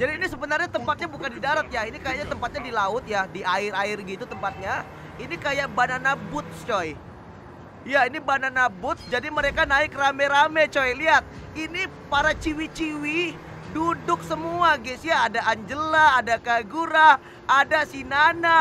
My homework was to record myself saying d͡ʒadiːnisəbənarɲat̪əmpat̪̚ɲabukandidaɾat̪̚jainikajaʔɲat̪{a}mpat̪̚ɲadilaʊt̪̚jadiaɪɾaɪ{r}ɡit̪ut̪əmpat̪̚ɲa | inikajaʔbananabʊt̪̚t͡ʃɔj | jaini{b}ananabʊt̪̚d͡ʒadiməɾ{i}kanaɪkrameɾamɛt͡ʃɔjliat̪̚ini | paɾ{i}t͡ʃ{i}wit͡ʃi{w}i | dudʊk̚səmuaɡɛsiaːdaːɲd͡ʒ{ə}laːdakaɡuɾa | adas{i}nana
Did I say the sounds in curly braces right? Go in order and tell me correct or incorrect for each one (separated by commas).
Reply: incorrect, correct, correct, incorrect, incorrect, correct, correct, correct, correct